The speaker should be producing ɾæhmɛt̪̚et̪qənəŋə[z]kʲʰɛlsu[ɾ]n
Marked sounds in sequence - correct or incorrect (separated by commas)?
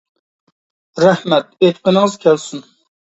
correct, incorrect